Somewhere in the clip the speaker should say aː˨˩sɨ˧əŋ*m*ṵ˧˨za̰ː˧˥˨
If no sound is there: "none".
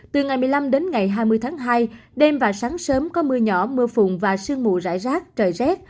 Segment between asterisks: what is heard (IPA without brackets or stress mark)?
m